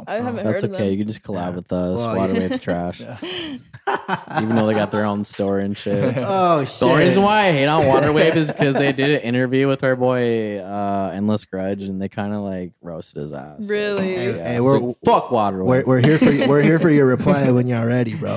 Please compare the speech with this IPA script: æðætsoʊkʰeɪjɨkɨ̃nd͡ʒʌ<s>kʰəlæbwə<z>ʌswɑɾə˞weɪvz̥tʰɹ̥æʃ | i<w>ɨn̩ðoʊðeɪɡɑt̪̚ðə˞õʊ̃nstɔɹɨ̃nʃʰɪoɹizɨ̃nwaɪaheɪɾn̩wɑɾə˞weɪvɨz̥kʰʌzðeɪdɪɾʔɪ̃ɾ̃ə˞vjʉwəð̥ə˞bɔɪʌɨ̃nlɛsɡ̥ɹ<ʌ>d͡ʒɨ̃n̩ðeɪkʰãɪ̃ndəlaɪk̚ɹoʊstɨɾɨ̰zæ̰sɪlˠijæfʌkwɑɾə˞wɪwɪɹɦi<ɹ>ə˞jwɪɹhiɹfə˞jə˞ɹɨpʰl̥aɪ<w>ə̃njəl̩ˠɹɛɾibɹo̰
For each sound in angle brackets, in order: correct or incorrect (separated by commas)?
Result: correct, incorrect, incorrect, correct, correct, correct